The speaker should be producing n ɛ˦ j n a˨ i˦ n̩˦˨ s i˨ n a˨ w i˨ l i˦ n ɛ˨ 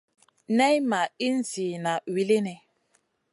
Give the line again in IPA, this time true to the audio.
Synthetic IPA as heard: n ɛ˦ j m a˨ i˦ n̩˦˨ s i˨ n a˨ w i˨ l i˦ n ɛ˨